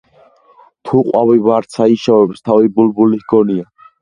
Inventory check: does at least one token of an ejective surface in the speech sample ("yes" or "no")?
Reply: yes